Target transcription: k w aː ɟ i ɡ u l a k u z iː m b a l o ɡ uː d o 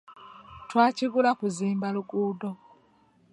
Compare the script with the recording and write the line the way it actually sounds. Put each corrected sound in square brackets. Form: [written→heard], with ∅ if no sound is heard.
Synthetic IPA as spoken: [k→t] w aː [ɟ→c] i ɡ u l a k u z iː m b a l [o→u] ɡ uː d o